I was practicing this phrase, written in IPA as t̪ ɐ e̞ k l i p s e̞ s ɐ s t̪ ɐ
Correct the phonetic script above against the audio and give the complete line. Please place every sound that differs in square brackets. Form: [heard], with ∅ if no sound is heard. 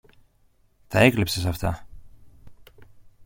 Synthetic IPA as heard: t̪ ɐ e̞ k l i p s e̞ s ɐ [f] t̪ ɐ